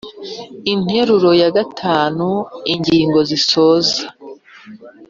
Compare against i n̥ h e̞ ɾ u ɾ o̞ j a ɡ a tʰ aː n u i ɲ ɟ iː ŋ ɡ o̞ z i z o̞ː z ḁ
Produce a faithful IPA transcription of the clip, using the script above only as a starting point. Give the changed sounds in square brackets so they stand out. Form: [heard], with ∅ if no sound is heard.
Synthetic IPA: i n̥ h e̞ ɾ u ɾ o̞ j a ɡ a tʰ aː n u i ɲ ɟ iː ŋ ɡ o̞ z i [s] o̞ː z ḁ